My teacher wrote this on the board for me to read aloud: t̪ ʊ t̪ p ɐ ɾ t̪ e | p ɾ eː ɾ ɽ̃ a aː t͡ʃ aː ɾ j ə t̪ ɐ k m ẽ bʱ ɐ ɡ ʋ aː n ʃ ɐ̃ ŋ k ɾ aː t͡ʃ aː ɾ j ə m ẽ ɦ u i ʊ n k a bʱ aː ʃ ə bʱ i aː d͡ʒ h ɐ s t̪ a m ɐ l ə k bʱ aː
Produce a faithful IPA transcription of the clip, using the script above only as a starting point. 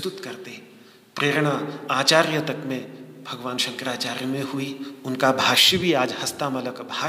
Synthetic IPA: t̪ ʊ t̪ k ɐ ɾ t̪ e | p ɾ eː ɾ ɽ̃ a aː t͡ʃ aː ɾ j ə t̪ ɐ k m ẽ bʱ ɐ ɡ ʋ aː n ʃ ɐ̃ ŋ k ɾ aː t͡ʃ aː ɾ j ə m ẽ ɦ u i ʊ n k a bʱ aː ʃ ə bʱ i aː d͡ʒ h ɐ s t̪ a m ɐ l ə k bʱ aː